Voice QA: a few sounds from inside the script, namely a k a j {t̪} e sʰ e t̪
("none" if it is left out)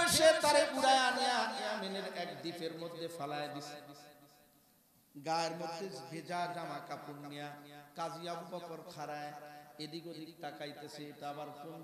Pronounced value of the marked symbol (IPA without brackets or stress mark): t̪